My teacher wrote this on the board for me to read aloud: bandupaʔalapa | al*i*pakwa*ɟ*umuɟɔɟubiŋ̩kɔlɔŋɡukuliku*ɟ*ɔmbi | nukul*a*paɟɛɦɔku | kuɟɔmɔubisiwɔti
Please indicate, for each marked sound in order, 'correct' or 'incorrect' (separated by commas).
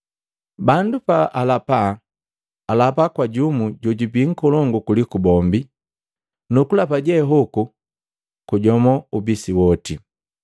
incorrect, correct, incorrect, correct